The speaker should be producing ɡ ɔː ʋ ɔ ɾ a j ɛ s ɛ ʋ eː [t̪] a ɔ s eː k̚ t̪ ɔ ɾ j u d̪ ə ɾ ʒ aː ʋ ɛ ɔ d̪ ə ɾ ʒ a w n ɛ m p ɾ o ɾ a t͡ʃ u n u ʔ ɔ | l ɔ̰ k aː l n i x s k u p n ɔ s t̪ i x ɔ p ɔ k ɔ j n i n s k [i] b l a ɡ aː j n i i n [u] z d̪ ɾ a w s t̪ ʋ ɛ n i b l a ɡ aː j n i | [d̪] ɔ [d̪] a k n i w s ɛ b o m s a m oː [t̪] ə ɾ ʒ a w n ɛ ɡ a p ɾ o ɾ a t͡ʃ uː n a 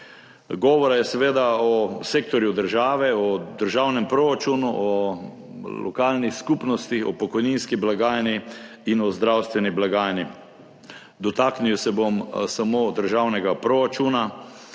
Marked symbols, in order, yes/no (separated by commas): no, yes, no, yes, no, no